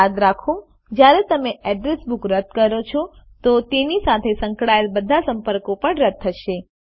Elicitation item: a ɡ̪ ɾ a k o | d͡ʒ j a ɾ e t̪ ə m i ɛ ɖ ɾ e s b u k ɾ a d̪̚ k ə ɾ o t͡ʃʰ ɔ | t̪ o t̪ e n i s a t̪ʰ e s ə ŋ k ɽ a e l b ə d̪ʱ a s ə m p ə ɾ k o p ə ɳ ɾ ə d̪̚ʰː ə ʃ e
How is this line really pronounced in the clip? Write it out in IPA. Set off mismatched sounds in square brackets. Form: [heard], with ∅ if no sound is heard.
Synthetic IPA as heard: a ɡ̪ ɾ a [kʰ] o | d͡ʒ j a ɾ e t̪ ə m [e] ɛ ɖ ɾ e s b u k ɾ [ə] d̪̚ k ə ɾ o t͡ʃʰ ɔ | t̪ o t̪ e n i s a t̪ʰ e s ə ŋ k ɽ a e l b ə d̪ʱ a s ə m p ə ɾ k o p ə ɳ ɾ ə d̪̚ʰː ə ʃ e

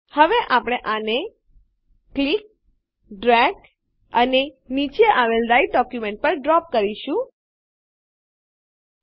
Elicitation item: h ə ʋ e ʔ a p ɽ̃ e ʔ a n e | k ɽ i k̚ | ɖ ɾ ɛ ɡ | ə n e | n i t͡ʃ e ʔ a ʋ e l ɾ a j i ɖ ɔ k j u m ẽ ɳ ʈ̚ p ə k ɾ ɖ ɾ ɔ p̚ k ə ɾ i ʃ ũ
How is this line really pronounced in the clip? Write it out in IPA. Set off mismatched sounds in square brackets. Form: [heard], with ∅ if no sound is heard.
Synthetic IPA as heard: h ə ʋ e ʔ a p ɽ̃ e ʔ a n e | k [l] i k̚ | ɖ ɾ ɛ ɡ | ə n e | n i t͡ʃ e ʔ a ʋ e l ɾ a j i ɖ ɔ k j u m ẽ ɳ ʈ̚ p ə [∅] ɾ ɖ ɾ ɔ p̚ k ə ɾ i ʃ ũ

